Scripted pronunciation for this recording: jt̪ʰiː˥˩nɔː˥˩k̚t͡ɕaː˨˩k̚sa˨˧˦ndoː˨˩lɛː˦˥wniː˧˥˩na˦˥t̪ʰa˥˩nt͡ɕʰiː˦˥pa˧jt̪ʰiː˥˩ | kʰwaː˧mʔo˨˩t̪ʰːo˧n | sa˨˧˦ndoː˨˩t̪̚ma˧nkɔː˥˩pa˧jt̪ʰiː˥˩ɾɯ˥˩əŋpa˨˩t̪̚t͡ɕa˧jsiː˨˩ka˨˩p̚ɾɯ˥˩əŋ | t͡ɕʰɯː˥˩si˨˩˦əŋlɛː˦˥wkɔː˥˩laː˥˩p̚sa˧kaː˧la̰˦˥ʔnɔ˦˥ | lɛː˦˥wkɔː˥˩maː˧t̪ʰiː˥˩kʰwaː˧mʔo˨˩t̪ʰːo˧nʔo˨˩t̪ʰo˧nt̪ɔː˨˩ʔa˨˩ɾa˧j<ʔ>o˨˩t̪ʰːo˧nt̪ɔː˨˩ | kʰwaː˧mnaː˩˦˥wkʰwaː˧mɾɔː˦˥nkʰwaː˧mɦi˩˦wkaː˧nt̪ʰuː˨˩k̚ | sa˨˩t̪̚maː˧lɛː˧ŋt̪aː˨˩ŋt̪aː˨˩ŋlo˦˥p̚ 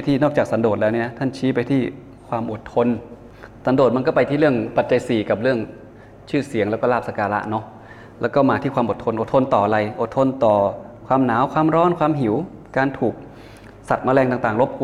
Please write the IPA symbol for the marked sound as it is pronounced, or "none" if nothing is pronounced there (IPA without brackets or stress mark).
ʔ